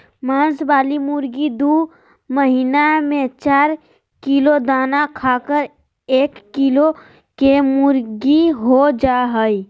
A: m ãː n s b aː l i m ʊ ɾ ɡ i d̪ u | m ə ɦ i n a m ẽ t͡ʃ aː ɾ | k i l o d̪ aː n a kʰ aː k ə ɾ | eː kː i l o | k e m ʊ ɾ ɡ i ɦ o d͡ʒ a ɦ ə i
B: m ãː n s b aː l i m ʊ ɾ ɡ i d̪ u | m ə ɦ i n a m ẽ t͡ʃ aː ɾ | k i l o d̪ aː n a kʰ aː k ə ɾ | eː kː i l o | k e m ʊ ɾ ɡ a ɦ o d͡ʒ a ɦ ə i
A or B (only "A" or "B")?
A